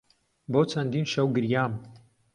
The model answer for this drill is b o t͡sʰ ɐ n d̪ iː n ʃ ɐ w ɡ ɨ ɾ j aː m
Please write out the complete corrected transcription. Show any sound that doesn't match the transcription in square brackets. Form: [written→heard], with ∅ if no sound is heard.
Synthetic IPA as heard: b o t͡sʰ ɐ n d̪ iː n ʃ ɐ w ɡ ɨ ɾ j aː m